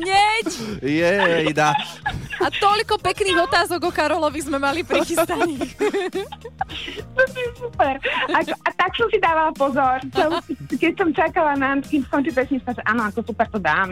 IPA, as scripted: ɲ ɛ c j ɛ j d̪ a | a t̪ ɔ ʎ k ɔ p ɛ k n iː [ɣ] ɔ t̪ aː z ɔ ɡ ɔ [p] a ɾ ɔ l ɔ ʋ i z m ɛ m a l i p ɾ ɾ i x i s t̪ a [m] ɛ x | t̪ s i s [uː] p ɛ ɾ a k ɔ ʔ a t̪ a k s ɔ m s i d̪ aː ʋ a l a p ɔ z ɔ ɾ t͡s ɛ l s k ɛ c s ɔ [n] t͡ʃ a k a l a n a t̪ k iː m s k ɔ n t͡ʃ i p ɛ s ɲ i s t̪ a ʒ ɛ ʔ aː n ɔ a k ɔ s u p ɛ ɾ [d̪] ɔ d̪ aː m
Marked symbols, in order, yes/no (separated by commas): yes, no, no, no, no, no